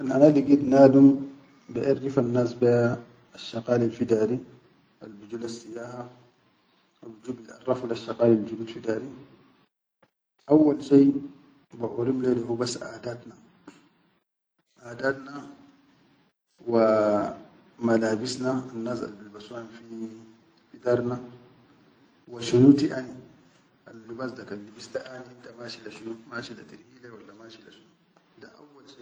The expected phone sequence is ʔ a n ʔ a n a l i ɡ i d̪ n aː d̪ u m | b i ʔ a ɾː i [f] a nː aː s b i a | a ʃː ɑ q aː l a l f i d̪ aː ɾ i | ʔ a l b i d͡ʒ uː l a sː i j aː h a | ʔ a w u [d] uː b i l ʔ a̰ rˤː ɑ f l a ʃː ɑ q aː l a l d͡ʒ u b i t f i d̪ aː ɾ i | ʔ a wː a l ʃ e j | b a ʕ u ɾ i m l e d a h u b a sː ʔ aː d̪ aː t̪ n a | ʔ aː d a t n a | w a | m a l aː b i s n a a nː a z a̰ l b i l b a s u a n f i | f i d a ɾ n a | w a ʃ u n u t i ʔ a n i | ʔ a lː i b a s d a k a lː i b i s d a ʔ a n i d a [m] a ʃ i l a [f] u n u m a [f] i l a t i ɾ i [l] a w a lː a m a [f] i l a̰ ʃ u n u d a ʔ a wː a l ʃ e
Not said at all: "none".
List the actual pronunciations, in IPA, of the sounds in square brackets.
f, d͡ʒ, m, ʃ, ʃ, l, ʃ

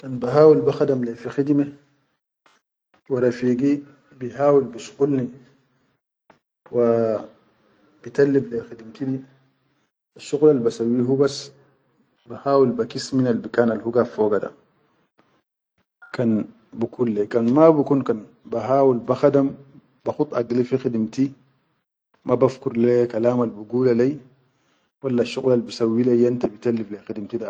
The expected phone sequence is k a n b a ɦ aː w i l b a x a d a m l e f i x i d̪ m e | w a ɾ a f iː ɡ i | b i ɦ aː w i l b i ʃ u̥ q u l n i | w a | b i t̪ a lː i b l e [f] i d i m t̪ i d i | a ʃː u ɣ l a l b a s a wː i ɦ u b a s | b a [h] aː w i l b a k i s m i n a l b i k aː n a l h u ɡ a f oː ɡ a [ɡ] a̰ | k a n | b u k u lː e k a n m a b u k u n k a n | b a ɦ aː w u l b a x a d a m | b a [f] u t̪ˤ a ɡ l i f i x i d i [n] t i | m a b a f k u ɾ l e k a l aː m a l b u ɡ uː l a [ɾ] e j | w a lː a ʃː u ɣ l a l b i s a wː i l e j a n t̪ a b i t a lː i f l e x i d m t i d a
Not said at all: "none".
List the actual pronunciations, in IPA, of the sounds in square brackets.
x, h, d, x, m, l

